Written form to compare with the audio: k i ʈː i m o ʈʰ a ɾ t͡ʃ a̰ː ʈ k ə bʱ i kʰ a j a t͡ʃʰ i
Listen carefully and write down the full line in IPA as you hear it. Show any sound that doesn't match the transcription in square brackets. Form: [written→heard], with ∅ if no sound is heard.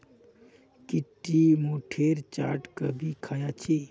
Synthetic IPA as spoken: k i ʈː i m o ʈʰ [a→e] ɾ t͡ʃ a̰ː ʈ k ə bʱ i kʰ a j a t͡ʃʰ i